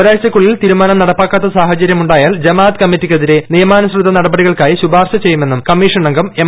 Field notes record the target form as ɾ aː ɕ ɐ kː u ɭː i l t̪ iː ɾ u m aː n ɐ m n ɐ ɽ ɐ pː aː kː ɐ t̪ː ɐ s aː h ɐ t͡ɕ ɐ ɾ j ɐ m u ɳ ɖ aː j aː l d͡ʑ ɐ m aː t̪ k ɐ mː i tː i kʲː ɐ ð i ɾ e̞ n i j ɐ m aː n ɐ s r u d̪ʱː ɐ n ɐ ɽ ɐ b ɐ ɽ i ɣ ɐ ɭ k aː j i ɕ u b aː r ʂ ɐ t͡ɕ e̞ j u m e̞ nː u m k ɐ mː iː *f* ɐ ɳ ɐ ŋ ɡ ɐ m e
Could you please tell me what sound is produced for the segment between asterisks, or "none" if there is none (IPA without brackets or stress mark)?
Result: ʂ